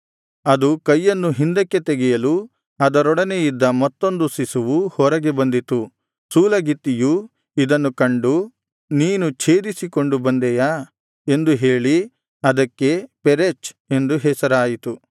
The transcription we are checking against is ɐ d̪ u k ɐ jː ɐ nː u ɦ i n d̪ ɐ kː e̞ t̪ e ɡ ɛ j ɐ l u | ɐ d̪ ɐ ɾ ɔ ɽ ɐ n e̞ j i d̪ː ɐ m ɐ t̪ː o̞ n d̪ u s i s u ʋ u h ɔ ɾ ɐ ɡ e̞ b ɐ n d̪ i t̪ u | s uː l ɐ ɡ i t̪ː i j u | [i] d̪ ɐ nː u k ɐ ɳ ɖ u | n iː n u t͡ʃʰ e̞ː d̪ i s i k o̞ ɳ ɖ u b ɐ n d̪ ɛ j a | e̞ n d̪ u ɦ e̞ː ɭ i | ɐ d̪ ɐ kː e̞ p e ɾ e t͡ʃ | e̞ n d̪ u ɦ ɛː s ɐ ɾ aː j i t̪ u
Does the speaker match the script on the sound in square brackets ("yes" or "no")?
yes